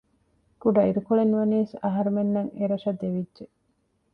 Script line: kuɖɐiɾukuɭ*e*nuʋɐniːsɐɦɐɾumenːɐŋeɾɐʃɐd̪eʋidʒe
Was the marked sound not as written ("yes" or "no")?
no